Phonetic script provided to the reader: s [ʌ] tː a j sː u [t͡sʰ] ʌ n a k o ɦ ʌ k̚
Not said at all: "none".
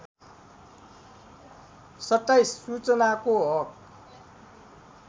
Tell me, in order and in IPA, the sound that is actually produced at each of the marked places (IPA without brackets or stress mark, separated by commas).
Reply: ʌ, t͡s